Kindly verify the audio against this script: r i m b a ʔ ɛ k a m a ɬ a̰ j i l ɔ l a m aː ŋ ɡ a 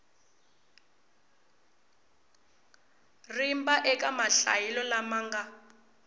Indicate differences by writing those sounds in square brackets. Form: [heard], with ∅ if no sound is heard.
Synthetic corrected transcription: r i m b a ʔ ɛ k a m a ɬ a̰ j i l ɔ l a m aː ŋ ɡ a